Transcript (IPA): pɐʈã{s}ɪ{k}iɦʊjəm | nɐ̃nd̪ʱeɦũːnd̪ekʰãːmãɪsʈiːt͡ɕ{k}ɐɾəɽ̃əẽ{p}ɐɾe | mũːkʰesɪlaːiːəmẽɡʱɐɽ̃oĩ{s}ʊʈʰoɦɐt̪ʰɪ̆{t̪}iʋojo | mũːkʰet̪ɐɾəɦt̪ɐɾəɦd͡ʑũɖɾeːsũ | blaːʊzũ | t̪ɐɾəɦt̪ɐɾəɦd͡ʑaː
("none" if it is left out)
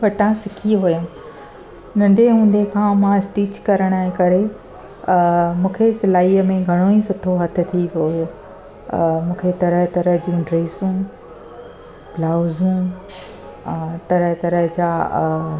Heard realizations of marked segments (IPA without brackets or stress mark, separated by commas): s, kʰ, k, k, s, t̪ʰ